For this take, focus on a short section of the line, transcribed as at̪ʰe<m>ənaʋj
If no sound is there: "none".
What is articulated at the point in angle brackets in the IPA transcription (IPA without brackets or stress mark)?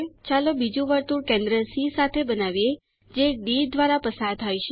b